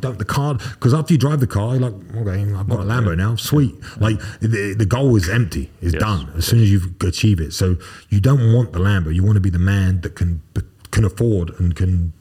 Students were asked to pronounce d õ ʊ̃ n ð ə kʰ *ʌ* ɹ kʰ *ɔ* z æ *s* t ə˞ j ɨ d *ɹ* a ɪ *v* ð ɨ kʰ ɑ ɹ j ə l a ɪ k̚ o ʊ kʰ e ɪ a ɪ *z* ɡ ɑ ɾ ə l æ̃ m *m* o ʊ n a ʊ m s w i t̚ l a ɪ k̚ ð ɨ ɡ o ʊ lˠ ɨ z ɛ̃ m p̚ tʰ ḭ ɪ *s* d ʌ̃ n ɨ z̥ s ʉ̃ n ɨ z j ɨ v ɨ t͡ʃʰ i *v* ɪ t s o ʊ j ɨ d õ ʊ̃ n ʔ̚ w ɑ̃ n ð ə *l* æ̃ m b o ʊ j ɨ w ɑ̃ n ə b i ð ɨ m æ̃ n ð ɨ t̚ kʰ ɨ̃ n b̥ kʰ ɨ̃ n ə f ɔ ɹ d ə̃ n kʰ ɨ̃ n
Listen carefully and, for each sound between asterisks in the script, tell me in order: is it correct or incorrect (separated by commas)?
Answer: incorrect, incorrect, incorrect, correct, correct, incorrect, incorrect, incorrect, correct, correct